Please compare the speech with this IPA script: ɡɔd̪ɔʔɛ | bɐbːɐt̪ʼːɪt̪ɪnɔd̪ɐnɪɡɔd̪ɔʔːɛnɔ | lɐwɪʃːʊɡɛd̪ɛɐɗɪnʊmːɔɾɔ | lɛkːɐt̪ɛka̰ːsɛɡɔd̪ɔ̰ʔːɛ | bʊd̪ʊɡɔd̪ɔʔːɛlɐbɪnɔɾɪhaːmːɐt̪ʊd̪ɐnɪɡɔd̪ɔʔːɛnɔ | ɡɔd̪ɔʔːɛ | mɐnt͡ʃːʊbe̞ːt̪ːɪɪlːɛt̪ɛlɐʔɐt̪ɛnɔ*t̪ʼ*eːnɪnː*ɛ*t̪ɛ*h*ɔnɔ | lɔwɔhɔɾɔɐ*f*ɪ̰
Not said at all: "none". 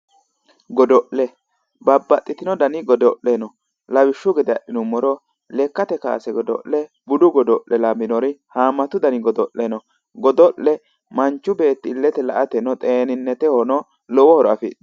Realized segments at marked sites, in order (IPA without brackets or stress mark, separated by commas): t̪ʼ, ɛ, h, f